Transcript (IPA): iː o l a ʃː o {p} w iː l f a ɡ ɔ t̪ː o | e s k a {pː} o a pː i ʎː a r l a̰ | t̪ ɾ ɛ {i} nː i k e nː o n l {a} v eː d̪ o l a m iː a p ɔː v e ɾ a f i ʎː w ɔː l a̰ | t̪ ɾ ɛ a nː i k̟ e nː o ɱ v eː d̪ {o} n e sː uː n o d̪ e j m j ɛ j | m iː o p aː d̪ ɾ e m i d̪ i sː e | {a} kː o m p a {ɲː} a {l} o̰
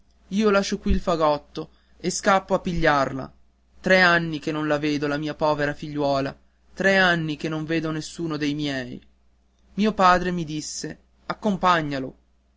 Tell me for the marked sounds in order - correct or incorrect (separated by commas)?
incorrect, correct, incorrect, correct, correct, correct, correct, correct